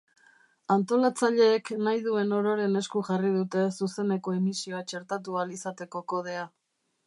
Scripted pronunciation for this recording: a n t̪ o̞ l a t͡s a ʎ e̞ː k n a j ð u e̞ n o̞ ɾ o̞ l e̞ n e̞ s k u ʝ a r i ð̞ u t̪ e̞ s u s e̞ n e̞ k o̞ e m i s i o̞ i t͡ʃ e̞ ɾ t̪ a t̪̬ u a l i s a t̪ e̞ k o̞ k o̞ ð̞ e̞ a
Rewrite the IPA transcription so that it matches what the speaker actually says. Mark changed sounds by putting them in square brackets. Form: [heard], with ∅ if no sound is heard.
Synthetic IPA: a n t̪ o̞ l a t͡s a ʎ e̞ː k n a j ð u e̞ n o̞ ɾ o̞ [ɾ] e̞ n e̞ s k u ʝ a r i ð̞ u t̪ e̞ s u s e̞ n e̞ k o̞ e m i s i o̞ [a] t͡ʃ e̞ ɾ t̪ a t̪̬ u a l i s a t̪ e̞ k o̞ k o̞ ð̞ e̞ a